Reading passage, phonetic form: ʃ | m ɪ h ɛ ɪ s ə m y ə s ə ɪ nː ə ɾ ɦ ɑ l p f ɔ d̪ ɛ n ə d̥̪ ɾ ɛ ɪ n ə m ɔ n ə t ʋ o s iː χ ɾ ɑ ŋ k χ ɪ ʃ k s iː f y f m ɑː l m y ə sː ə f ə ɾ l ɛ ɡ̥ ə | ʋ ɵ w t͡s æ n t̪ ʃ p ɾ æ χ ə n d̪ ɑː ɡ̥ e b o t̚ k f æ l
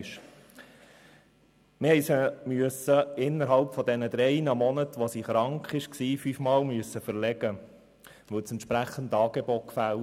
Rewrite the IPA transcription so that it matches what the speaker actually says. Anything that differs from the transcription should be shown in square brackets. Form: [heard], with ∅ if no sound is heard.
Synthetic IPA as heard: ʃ | m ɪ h ɛ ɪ s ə m y ə s ə ɪ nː ə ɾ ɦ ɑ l p f ɔ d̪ ɛ n ə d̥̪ ɾ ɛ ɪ n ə m ɔ n ə t ʋ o s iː χ ɾ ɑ ŋ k χ ɪ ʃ k s iː f y f m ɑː l m y ə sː ə f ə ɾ l ɛ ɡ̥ ə | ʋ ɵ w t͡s [ɛ] n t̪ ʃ p ɾ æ χ ə n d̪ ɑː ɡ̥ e b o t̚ k f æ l